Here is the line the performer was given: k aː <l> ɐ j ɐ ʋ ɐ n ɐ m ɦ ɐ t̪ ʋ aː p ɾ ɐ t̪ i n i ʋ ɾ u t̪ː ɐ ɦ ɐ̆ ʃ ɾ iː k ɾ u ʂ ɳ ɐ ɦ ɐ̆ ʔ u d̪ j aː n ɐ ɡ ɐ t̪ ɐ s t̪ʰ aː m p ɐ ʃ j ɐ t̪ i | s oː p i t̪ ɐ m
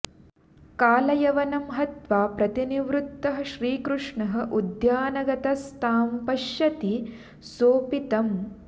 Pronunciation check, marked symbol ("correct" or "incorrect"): correct